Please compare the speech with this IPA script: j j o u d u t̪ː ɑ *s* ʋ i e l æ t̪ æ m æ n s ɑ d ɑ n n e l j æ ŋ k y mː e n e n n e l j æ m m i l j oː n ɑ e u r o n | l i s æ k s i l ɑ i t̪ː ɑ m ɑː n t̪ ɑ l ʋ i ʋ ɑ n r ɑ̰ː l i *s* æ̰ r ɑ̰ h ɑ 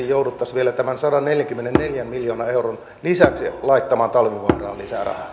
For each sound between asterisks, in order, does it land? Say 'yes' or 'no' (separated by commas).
yes, yes